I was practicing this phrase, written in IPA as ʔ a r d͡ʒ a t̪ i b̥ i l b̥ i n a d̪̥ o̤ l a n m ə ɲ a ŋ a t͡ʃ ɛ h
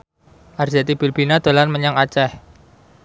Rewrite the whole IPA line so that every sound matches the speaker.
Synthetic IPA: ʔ a r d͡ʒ a t̪ i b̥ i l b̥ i n a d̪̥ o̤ l a n m ə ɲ a ŋ a t͡ʃ ɛ h

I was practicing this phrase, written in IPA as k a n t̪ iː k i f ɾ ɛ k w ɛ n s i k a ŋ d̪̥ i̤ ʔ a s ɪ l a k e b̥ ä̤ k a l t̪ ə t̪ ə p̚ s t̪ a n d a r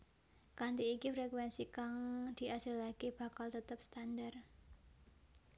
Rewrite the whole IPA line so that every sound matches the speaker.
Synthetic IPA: k a n t̪ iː k i f ɾ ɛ k w ɛ n s i k a ŋ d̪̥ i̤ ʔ a s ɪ l a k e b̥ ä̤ k a l t̪ ə t̪ ə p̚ s t̪ a n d a r

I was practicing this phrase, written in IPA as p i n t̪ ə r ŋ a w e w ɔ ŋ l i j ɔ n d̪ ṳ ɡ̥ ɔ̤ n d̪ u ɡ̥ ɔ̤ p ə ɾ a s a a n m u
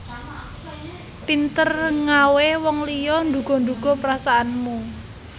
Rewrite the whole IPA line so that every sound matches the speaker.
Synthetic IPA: p i n t̪ ə r ŋ a w e w ɔ ŋ l i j ɔ n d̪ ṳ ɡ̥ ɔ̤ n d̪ u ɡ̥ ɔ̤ p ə ɾ a s a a n m u

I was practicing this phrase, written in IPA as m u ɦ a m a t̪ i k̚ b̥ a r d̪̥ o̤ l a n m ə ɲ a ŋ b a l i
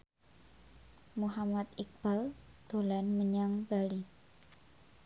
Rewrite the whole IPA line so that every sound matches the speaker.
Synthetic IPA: m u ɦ a m a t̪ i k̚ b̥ a l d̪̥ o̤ l a n m ə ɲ a ŋ b a l i

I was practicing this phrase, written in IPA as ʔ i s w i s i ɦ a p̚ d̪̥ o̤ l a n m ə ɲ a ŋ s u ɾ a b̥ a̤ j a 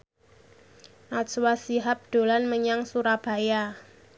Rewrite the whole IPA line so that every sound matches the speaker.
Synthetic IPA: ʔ a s w a s i ɦ a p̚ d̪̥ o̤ l a n m ə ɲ a ŋ s u ɾ a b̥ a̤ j a

